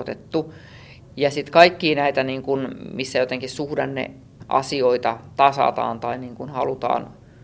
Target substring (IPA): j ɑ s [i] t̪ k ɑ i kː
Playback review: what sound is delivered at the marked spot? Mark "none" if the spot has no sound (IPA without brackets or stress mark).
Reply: i